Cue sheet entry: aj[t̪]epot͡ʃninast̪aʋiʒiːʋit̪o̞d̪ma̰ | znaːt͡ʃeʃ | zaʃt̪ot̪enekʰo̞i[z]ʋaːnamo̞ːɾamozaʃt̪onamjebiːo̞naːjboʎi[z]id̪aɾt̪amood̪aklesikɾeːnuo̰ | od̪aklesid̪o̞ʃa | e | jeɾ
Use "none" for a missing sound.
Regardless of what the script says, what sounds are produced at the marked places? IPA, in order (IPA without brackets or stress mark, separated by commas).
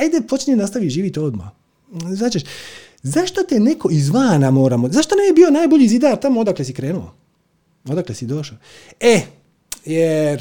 d̪, z, z